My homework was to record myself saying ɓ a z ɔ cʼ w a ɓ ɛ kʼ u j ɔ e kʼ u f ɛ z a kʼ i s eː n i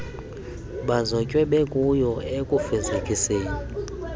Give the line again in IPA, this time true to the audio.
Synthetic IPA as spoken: ɓ a z ɔ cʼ w ɛ ɓ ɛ kʼ u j ɔ e kʼ u f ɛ z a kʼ i s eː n i